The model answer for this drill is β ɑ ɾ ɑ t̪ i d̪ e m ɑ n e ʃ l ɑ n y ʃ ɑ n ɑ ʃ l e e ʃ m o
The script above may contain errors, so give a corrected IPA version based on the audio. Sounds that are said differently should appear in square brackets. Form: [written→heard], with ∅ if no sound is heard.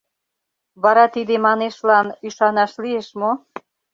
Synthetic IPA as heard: β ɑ ɾ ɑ t̪ i d̪ e m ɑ n e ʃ l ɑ n y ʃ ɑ n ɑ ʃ l [e→i] e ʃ m o